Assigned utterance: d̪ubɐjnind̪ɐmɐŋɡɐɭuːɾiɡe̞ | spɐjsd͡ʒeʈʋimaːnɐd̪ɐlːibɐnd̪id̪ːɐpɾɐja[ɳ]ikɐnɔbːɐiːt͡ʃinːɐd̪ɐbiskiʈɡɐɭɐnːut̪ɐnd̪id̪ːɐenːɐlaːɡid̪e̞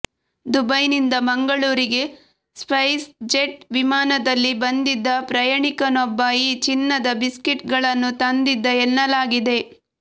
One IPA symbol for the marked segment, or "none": ɳ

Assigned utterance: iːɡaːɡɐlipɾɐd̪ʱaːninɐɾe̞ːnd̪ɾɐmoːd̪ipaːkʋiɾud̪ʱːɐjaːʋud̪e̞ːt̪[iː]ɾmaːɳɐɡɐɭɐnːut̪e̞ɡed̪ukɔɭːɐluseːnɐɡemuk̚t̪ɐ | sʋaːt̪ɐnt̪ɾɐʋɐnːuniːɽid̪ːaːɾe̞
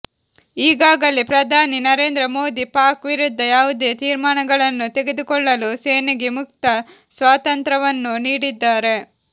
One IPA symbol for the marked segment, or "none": iː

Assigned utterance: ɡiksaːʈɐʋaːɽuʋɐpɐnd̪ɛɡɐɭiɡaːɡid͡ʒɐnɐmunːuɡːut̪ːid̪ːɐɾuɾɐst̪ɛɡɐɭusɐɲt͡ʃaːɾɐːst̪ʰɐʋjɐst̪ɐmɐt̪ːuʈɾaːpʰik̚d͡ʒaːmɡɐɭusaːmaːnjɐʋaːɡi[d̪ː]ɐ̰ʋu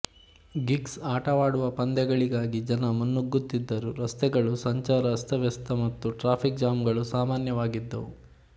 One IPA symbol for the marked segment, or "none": d̪ː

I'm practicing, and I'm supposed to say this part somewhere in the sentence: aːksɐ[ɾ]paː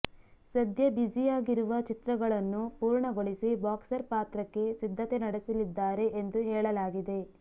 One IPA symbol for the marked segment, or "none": ɾ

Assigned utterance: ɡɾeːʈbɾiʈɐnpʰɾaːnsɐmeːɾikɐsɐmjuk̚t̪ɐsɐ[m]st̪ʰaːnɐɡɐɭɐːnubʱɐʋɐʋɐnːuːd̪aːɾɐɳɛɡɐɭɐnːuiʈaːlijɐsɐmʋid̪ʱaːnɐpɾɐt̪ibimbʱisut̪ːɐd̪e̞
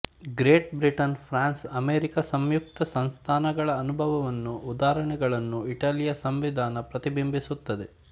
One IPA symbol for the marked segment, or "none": n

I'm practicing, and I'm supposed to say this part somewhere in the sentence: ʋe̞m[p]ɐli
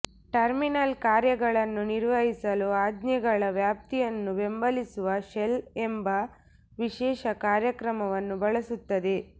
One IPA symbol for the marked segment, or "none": b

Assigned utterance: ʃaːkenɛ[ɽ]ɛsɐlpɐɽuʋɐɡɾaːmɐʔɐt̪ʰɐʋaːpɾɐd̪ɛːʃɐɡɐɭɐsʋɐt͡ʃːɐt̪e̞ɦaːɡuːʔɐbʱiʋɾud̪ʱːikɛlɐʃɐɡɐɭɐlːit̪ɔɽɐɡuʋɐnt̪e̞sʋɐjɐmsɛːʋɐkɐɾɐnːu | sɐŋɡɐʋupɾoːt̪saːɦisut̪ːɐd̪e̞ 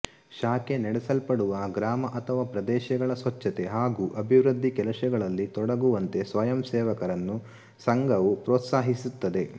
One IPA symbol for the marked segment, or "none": ɽ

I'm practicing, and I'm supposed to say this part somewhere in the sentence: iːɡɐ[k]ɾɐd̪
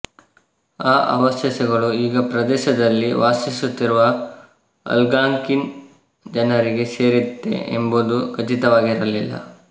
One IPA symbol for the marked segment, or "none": p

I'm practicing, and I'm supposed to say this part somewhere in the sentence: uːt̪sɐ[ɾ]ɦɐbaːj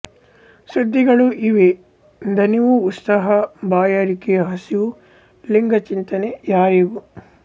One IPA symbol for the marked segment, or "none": none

